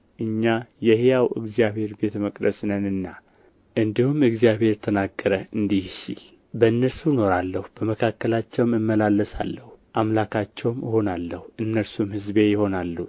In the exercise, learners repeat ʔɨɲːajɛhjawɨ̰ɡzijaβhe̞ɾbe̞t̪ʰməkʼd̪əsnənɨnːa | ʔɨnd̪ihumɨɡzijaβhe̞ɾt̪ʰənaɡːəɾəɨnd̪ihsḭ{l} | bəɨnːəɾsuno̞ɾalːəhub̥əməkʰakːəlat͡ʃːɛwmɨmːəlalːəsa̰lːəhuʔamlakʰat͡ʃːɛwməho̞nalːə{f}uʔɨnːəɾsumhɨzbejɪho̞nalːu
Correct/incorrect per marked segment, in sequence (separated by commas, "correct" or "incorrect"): correct, incorrect